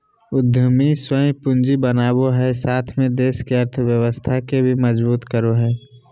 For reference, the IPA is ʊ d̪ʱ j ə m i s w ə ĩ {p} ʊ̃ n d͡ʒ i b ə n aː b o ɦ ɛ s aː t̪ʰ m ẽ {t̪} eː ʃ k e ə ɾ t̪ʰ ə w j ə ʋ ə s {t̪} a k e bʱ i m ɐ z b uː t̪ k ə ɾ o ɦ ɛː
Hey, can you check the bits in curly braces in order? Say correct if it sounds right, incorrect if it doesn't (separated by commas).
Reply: correct, incorrect, incorrect